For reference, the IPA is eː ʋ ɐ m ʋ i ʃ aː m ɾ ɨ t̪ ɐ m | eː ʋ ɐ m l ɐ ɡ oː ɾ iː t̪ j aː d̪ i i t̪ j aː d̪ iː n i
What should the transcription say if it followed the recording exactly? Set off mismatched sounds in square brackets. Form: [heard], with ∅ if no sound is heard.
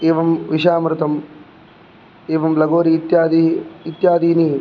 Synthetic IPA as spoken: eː ʋ ɐ m ʋ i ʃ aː m ɾ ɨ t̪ ɐ m | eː ʋ ɐ m l ɐ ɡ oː ɾ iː t̪ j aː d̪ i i t̪ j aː d̪ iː n i